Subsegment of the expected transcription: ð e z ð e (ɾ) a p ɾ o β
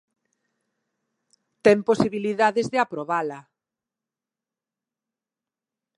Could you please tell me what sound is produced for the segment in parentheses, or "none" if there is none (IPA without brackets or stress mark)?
none